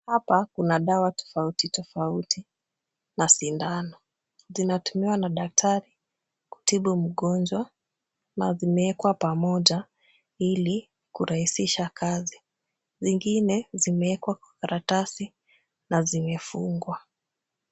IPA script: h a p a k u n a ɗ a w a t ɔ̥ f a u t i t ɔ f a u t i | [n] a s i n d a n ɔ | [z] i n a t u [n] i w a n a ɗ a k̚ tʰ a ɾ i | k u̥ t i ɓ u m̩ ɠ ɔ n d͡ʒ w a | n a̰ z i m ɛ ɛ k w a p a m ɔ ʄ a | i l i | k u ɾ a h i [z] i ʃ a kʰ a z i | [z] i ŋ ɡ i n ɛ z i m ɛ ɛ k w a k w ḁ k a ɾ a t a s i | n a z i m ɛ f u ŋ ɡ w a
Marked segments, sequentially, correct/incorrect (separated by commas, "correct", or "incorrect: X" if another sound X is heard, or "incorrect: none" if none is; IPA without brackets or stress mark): correct, correct, incorrect: m, incorrect: s, correct